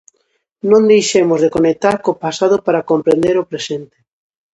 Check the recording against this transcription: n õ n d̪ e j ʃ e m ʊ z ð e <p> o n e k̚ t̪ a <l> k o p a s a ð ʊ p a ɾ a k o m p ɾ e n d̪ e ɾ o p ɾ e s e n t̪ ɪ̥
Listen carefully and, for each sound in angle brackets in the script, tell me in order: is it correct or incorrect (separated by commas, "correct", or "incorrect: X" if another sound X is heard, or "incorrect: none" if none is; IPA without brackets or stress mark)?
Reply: incorrect: k, incorrect: ɾ